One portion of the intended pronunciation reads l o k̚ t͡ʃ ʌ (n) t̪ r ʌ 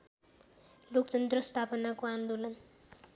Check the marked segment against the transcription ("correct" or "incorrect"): correct